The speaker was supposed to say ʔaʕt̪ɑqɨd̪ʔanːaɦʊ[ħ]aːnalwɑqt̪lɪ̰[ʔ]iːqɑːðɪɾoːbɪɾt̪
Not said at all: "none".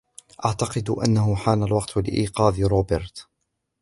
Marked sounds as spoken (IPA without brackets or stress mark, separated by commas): ħ, ʔ